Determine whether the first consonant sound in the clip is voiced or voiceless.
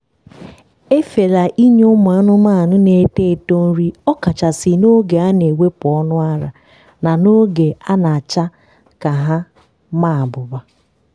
voiceless